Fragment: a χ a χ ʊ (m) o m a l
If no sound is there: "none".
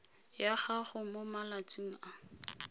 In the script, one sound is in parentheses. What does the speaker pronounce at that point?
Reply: m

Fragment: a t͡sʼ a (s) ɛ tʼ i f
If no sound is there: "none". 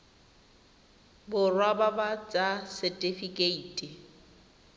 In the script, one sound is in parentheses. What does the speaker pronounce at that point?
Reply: s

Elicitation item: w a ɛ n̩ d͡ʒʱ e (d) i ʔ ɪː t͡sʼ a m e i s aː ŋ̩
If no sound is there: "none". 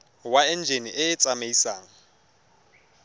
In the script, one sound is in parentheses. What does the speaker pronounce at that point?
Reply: n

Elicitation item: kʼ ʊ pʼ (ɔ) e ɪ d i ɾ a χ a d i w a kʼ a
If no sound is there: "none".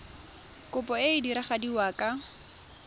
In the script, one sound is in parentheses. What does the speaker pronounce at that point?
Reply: ɔ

